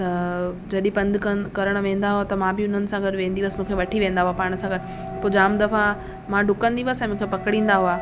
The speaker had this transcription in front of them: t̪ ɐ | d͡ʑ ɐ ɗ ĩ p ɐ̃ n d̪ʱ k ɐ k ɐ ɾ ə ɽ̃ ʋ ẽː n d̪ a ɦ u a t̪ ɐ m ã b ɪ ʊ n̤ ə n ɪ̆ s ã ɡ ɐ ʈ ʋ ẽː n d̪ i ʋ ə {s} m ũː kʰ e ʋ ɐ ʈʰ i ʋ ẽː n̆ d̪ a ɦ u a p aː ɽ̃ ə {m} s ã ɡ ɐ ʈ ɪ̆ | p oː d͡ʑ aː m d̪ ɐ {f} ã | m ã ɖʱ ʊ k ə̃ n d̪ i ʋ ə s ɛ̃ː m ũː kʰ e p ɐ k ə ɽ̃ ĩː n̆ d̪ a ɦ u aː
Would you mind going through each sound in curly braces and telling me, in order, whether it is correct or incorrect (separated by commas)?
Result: correct, incorrect, correct